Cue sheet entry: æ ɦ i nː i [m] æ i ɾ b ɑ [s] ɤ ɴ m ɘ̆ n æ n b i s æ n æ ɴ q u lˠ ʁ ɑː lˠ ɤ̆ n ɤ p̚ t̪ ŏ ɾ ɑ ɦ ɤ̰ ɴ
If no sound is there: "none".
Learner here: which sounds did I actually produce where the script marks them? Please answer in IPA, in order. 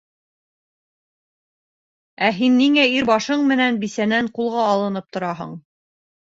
ŋ, ʃ

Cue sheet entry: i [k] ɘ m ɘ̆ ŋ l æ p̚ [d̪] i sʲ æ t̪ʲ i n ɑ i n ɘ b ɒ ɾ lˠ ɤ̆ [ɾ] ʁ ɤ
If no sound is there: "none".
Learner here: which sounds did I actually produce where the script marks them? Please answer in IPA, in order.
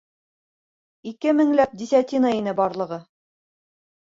k, d̪, none

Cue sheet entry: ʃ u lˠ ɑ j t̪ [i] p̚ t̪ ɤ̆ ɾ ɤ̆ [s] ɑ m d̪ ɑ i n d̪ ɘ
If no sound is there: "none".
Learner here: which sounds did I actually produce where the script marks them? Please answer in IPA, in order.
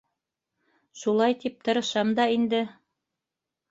i, ʃ

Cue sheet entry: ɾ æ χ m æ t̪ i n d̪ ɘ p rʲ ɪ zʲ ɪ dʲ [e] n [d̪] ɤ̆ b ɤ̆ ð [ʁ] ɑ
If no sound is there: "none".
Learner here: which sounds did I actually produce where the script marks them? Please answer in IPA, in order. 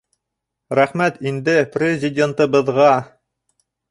e, t̪, ʁ

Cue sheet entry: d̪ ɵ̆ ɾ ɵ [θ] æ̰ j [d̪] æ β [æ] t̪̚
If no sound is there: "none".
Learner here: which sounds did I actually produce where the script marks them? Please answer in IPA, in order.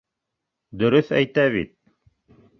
θ, t̪, i

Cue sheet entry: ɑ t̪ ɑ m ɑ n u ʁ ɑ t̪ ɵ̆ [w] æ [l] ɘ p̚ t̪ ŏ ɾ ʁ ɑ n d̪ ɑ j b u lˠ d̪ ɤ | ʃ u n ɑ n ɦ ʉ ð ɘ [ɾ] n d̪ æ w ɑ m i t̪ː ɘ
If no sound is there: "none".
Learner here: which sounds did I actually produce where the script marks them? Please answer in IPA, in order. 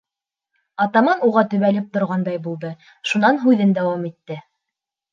β, l, none

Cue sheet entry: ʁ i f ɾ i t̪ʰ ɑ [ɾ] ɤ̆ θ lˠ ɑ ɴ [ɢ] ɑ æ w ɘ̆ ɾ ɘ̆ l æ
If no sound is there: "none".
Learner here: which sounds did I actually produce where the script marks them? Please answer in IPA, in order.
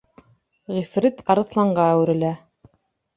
ɾ, ɢ

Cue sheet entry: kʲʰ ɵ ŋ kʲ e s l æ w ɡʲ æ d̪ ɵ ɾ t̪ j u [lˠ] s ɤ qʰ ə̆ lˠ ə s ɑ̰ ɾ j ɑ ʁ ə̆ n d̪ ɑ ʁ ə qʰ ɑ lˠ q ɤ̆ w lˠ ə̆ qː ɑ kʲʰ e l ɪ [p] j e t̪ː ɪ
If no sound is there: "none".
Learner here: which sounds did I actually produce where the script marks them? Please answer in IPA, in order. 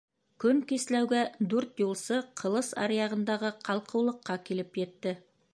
lˠ, p

